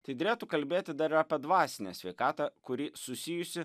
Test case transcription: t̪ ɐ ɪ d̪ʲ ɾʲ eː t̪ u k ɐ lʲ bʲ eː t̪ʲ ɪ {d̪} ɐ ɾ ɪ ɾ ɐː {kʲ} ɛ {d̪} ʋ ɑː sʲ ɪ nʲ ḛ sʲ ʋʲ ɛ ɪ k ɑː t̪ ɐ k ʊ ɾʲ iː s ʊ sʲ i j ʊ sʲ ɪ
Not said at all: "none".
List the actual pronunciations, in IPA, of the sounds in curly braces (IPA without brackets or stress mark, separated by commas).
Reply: d̪, pʲ, d̪